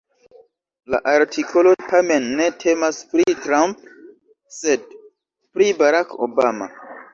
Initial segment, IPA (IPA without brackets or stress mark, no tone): l